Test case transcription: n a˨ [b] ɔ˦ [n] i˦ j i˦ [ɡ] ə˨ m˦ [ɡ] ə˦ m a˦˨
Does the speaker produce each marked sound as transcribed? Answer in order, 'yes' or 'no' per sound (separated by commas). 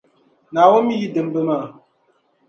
no, no, no, no